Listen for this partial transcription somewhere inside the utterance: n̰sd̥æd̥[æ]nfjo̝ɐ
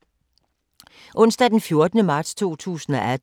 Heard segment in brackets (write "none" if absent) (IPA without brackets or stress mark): e